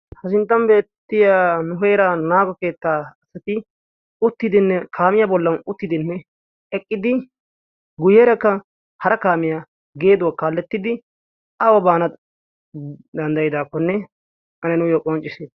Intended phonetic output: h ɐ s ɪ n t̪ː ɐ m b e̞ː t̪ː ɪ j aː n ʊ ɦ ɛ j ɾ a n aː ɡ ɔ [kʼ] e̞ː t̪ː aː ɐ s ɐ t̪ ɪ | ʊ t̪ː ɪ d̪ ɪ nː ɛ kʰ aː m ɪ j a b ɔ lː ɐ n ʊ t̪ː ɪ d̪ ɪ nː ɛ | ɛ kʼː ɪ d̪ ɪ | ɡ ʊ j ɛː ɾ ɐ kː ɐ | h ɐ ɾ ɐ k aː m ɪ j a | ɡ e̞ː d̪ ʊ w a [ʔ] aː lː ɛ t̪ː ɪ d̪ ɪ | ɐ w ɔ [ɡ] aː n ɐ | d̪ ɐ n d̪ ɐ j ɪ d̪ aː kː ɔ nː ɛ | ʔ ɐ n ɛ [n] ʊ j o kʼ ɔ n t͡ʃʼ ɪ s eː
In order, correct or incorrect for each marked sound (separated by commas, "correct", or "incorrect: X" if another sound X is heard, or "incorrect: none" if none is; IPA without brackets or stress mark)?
incorrect: k, incorrect: k, incorrect: b, correct